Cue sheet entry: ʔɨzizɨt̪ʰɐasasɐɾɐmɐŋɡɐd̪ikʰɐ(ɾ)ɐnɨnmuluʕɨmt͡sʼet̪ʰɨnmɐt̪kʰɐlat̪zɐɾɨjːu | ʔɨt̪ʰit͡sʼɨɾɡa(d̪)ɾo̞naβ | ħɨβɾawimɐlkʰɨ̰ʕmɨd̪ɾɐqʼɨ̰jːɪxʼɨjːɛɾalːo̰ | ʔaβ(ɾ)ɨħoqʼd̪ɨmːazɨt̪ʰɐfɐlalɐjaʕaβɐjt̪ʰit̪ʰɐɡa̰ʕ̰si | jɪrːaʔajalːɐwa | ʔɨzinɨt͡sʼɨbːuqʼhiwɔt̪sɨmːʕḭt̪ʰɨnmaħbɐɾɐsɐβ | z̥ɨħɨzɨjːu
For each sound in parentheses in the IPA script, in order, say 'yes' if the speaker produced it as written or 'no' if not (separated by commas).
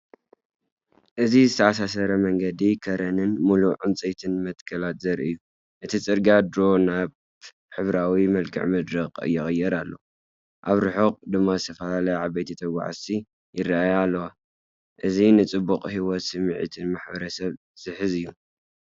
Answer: yes, yes, yes